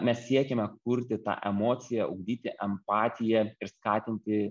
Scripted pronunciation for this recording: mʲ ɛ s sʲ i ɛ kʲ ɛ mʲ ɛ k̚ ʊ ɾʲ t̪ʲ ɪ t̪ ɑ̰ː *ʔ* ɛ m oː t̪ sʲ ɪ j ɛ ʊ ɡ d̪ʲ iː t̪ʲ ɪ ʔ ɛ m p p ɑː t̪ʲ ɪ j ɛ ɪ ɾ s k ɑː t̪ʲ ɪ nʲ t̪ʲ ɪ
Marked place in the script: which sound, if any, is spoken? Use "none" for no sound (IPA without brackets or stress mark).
ʔ